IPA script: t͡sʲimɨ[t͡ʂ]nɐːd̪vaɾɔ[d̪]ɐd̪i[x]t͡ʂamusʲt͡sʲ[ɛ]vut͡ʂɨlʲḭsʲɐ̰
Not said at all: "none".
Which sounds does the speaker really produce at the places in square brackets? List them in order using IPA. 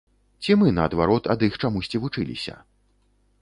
none, t̪, x, i

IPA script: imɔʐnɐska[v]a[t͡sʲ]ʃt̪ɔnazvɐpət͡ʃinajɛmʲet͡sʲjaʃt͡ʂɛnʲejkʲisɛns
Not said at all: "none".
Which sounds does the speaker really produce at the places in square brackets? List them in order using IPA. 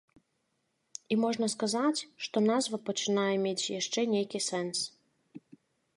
z, t͡sʲ

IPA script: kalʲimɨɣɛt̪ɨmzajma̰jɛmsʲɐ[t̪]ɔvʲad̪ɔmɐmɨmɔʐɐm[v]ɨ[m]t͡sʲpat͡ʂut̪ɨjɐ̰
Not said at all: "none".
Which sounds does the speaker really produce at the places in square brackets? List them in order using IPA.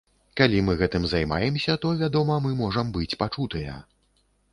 t̪, b, none

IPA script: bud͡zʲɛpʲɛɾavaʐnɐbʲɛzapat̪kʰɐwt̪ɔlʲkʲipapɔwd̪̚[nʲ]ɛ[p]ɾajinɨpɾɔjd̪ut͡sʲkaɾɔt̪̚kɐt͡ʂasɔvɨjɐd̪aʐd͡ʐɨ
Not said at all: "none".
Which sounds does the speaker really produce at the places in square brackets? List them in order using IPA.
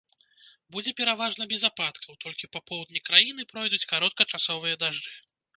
nʲ, k

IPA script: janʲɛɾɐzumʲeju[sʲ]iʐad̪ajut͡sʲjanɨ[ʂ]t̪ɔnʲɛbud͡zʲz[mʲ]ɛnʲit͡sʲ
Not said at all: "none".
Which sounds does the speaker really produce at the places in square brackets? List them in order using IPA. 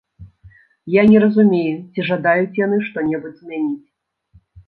t͡sʲ, ʂ, mʲ

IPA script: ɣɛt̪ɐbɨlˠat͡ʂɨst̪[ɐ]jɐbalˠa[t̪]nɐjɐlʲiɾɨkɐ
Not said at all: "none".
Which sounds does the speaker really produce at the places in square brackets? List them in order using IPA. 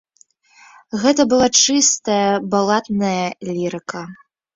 ɐ, t̪

